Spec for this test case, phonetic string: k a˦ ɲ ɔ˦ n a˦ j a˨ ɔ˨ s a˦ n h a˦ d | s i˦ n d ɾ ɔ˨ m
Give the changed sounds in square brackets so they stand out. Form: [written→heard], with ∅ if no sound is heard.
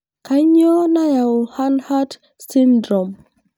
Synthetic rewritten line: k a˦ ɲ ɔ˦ n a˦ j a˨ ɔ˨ [s→h] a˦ n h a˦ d | s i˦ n d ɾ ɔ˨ m